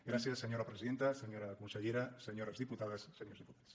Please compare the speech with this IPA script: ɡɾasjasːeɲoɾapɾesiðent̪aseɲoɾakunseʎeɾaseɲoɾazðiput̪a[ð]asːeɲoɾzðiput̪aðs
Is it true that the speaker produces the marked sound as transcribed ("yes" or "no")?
yes